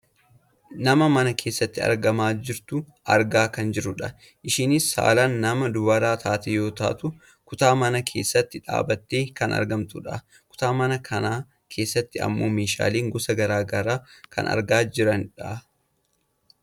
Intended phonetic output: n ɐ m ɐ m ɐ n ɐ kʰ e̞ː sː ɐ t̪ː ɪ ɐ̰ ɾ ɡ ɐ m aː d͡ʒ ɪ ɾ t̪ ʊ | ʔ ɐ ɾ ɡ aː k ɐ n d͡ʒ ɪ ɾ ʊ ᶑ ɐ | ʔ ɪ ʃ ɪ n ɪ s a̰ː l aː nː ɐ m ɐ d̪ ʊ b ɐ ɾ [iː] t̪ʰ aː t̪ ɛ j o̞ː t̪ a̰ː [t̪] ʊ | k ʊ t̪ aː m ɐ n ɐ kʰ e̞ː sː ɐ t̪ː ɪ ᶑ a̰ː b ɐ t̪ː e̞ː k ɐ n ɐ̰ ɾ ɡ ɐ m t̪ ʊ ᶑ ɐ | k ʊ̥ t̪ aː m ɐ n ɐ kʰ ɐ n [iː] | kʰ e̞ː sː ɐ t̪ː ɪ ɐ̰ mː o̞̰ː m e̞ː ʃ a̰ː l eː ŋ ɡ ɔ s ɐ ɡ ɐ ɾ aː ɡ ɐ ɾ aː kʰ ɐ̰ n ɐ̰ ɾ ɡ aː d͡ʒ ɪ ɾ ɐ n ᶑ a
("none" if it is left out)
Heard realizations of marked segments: aː, t̪, aː

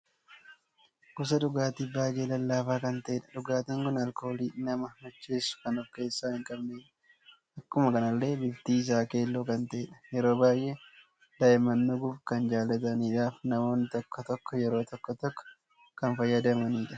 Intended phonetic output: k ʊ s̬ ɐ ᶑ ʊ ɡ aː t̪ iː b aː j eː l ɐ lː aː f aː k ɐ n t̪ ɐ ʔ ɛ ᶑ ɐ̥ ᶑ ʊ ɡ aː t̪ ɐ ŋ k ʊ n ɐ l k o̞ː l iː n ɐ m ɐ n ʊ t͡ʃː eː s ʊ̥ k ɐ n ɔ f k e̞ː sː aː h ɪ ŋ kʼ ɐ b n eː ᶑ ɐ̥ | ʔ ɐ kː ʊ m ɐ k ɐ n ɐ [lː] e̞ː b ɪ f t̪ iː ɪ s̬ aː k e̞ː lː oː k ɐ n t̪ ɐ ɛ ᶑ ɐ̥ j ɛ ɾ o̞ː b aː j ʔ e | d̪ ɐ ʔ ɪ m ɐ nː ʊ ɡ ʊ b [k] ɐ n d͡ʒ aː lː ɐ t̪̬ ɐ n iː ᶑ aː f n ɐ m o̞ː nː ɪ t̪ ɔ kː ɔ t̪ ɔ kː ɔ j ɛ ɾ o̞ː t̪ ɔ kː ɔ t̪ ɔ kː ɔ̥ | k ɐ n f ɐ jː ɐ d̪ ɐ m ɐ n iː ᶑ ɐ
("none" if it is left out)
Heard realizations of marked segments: lː, k

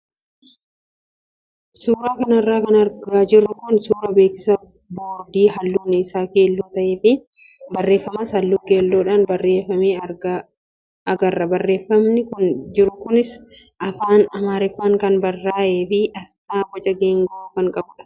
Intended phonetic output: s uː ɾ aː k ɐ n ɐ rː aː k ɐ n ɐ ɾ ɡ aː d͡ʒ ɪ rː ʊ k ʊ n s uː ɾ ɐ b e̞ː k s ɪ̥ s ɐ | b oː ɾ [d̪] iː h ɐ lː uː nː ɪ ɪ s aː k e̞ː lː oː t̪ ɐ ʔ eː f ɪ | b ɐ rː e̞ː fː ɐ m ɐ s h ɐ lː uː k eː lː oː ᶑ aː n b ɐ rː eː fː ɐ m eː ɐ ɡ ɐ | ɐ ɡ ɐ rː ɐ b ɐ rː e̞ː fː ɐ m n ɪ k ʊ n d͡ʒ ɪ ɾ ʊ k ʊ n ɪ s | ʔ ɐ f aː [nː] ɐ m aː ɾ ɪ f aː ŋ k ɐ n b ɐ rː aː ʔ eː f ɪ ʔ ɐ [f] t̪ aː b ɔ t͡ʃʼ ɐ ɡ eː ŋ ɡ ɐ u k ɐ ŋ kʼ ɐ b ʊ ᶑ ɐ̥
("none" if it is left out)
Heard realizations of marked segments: d̪, n, s

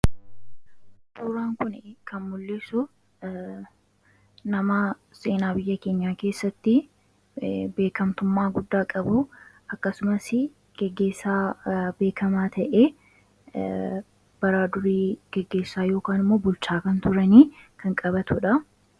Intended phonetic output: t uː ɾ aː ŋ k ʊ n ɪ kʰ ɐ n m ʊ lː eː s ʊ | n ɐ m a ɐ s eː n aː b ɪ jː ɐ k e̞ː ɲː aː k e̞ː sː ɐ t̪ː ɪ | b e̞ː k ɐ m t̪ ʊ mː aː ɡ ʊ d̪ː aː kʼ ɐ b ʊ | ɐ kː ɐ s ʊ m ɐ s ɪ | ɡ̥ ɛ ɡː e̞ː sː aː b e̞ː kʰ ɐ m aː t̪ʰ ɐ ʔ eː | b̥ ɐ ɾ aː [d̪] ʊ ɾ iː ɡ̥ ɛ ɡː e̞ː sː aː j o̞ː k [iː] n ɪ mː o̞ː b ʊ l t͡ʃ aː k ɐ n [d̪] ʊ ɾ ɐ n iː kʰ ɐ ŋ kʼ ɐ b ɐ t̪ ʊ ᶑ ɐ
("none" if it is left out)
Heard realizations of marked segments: d̪, aː, t̪

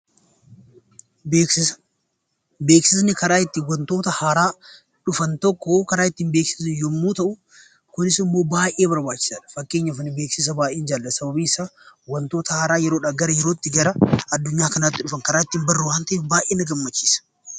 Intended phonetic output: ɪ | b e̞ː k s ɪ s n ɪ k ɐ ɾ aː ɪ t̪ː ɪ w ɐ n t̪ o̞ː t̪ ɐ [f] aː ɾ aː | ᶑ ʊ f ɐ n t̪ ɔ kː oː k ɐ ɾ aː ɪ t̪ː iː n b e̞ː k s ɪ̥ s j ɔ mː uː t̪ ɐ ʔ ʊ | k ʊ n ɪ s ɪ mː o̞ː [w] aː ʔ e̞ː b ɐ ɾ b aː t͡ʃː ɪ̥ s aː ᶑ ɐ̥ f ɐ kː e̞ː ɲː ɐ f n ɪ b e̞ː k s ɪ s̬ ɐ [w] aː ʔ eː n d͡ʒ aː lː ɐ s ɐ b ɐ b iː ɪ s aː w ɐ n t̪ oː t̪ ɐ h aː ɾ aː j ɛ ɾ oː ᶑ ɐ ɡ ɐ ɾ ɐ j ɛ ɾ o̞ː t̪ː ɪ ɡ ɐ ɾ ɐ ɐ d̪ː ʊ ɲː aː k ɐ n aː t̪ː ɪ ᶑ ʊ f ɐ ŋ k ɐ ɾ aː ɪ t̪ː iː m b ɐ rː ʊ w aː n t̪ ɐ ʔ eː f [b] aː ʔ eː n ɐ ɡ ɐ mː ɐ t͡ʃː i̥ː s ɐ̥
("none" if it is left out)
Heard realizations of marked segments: h, b, b, b

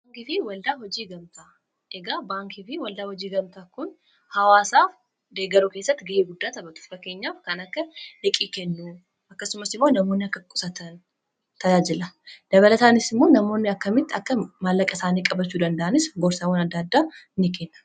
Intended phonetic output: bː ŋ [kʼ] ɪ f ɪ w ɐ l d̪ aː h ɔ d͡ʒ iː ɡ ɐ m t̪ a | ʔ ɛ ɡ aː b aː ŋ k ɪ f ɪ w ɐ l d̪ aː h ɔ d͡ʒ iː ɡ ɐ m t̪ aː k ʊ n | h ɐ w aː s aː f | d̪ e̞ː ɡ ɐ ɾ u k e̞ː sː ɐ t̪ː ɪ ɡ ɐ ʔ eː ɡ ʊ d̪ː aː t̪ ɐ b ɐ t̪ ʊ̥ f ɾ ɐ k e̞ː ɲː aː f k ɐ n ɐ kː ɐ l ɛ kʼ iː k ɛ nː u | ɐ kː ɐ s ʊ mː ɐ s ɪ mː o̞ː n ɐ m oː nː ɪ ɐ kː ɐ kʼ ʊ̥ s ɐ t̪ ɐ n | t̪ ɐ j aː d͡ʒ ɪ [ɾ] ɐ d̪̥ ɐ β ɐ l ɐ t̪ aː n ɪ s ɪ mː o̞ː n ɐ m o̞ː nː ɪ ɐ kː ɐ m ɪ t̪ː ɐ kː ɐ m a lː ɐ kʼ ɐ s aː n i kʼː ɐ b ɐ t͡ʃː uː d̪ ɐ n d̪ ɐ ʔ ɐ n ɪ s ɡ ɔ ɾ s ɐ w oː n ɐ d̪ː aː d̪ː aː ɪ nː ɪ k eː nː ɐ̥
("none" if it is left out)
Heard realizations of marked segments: k, l

